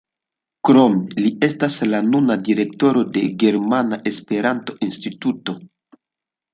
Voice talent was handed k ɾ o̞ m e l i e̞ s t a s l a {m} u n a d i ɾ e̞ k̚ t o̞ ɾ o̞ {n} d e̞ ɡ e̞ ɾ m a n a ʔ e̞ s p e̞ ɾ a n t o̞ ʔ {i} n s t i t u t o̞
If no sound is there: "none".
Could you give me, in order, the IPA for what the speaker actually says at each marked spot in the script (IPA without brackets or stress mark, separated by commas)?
n, none, i